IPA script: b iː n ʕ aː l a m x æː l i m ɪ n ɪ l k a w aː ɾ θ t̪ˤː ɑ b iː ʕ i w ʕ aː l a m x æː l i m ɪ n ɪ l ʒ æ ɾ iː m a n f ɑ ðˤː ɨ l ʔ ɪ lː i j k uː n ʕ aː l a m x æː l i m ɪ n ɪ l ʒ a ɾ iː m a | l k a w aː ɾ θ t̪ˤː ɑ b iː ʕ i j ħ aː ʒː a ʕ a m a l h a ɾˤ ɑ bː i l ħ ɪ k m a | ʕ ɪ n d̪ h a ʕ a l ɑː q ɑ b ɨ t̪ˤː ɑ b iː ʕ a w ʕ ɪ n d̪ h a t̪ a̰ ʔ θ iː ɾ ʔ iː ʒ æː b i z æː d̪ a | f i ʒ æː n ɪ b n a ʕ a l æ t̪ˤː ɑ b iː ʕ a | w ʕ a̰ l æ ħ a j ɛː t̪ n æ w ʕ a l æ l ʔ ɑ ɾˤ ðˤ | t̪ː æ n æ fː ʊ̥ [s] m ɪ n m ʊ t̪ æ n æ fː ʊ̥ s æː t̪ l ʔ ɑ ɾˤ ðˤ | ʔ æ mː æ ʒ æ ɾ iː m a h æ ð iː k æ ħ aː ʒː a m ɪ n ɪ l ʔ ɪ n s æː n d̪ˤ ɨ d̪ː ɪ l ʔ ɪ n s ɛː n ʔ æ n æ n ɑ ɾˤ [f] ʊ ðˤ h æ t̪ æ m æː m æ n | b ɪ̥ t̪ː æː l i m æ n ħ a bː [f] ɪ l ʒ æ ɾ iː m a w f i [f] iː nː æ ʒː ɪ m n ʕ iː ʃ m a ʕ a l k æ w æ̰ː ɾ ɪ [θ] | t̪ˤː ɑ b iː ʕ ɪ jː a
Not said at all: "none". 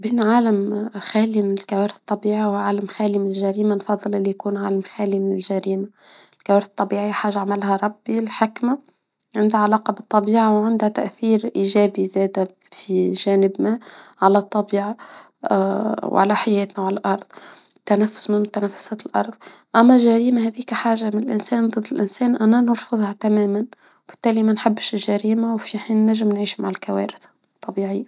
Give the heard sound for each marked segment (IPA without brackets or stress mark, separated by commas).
s, f, ʃ, ħ, θ